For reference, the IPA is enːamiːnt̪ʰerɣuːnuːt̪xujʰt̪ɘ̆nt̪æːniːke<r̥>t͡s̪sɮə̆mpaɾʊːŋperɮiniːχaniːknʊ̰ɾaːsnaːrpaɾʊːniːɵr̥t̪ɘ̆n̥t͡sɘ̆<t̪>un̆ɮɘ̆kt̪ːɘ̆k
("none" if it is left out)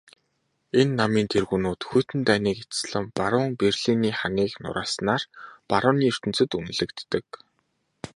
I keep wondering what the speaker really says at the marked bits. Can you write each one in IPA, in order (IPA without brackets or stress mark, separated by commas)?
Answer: none, t̪